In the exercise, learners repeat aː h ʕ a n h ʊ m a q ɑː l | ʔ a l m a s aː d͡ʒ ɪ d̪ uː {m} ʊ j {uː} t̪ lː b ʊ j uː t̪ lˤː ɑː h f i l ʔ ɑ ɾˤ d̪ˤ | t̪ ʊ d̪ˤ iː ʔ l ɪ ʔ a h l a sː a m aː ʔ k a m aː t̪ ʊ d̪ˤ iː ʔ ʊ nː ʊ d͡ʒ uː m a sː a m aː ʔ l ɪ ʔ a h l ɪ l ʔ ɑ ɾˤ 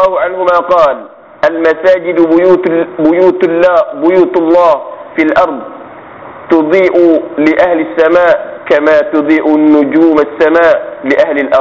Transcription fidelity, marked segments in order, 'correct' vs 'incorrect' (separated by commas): incorrect, correct